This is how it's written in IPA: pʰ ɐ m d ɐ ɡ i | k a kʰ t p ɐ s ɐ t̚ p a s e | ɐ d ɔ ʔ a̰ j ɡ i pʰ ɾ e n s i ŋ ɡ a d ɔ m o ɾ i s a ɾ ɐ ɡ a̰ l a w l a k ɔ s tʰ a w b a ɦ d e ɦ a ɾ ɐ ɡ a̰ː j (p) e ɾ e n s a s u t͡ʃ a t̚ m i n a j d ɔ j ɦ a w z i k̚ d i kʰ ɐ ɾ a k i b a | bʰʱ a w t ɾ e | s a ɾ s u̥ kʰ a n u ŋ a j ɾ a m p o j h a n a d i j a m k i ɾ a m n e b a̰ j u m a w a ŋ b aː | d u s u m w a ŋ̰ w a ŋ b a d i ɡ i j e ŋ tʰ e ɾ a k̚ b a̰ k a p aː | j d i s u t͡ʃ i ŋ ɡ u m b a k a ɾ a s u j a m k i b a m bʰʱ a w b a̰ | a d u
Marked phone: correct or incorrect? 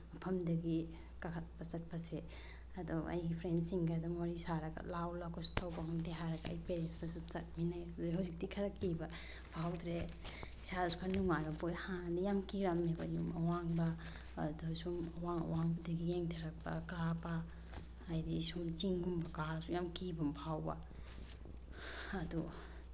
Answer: correct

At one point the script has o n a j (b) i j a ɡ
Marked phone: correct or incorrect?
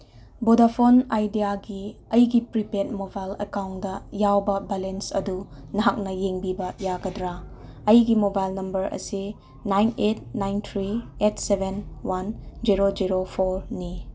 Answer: incorrect: d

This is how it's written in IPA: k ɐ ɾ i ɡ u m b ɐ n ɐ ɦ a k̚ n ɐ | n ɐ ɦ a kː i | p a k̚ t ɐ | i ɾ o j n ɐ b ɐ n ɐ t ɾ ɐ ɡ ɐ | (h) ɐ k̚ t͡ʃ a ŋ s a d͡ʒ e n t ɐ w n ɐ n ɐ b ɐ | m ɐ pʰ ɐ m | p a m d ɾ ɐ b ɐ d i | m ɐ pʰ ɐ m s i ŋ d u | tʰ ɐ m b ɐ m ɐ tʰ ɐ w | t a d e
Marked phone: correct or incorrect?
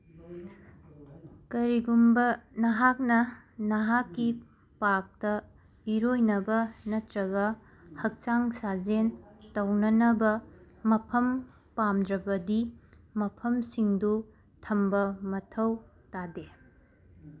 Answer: correct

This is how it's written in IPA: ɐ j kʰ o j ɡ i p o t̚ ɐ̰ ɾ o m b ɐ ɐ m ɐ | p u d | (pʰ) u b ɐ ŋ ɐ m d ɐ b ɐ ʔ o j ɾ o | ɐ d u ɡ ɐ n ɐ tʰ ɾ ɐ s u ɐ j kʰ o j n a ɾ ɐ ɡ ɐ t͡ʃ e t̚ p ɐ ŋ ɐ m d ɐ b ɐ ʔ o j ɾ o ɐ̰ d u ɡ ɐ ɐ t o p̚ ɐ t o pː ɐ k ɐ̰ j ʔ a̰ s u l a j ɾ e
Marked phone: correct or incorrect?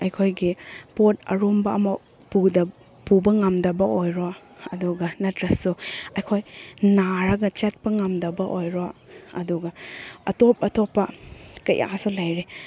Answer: incorrect: p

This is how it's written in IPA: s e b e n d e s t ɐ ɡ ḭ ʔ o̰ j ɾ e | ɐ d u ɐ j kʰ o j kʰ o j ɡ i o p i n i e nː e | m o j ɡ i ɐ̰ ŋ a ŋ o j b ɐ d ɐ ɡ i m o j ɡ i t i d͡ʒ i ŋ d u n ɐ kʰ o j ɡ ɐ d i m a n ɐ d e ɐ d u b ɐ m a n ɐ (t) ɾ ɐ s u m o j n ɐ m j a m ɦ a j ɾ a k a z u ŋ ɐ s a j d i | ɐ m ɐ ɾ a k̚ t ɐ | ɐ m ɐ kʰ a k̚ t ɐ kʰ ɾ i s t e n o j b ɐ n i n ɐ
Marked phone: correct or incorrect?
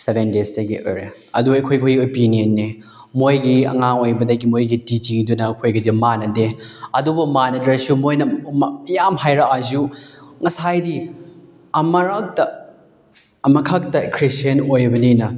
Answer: incorrect: d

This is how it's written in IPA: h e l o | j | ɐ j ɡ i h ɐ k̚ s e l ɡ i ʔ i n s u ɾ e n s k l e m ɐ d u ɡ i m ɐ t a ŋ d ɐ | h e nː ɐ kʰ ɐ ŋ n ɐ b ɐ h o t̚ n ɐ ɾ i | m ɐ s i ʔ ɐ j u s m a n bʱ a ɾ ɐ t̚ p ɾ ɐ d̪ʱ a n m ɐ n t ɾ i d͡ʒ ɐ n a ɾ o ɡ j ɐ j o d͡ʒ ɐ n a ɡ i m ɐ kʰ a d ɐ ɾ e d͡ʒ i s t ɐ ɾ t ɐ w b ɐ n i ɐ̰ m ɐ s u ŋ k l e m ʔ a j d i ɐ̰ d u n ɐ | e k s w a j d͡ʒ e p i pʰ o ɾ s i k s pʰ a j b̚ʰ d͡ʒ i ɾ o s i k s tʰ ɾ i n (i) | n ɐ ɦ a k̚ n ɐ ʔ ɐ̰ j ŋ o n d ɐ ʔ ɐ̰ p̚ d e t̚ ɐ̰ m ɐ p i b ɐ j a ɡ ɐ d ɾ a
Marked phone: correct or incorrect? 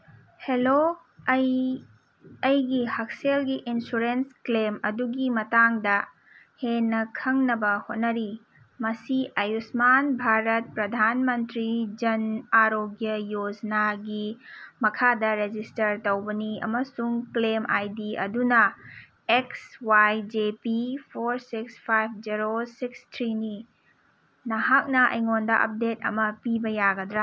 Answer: correct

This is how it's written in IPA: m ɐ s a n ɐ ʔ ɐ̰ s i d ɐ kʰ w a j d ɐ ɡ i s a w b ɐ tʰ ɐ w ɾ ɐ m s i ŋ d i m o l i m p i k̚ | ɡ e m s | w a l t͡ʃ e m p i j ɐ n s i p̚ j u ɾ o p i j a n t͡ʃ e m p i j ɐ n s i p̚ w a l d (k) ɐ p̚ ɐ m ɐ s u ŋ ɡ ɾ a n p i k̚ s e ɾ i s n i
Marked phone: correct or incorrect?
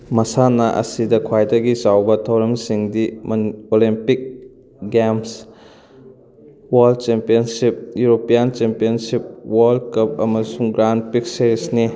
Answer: correct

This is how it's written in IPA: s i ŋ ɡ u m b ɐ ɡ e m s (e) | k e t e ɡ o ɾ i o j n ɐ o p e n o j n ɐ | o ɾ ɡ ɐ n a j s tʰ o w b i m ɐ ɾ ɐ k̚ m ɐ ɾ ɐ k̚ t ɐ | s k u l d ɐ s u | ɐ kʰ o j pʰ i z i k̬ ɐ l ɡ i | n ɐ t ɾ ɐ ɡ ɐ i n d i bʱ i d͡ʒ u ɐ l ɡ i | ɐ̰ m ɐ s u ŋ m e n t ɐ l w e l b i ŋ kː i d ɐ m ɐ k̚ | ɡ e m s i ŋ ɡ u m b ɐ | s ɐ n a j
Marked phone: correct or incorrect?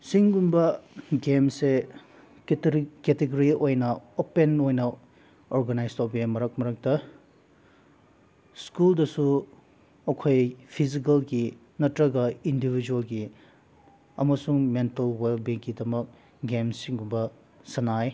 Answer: correct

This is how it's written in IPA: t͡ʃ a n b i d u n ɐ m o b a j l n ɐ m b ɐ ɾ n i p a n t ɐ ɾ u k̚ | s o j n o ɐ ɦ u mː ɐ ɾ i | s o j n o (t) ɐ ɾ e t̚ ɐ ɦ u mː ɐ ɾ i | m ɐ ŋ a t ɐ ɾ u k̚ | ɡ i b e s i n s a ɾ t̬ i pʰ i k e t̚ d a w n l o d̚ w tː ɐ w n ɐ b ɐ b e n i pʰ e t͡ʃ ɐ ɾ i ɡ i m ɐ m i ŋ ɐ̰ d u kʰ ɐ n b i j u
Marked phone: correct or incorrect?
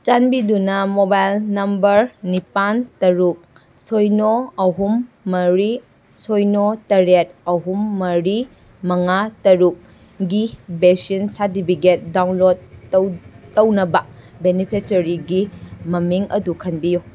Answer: correct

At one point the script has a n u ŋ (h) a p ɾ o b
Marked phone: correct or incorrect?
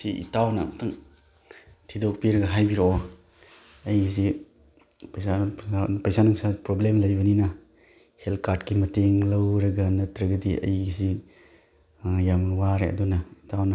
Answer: incorrect: s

